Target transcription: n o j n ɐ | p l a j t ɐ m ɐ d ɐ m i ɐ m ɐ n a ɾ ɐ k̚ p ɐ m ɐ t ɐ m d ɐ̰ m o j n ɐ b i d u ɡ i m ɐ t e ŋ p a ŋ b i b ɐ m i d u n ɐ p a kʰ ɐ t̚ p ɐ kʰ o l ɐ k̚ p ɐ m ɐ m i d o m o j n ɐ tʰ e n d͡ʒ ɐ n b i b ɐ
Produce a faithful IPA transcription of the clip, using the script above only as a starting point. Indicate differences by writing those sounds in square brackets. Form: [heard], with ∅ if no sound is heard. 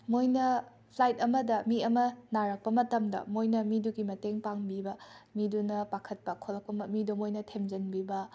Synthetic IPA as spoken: [m] o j n ɐ | [pʰ] l a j t ɐ m ɐ d ɐ m i ɐ m ɐ n a ɾ ɐ k̚ p ɐ m ɐ t ɐ m d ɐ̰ m o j n ɐ [m] i d u ɡ i m ɐ t e ŋ p a ŋ b i b ɐ m i d u n ɐ p a kʰ ɐ t̚ p ɐ kʰ o l ɐ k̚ p ɐ m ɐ m i d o m o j n ɐ tʰ e [m] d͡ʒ ɐ n b i b ɐ